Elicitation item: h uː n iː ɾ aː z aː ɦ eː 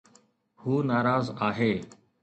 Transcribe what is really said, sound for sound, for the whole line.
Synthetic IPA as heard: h uː n aː ɾ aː z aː ɦ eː

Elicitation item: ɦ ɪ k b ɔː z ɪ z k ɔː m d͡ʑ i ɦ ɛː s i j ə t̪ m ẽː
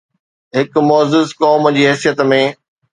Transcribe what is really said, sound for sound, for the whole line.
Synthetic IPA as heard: ɦ ɪ k m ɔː z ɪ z k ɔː m d͡ʑ iː ɦ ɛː s i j ə t̪ m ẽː

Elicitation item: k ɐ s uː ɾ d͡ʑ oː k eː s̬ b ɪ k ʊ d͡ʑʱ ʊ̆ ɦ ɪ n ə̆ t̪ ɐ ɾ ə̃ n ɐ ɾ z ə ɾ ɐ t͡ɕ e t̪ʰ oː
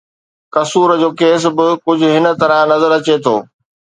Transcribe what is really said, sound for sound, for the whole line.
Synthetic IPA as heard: k ɐ s uː ɾ d͡ʑ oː k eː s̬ b ɪ k ʊ d͡ʑʱ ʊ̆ ɦ ɪ n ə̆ t̪ ɐ ɾ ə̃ n ɐ z ə ɾ ɐ t͡ɕ e t̪ʰ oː

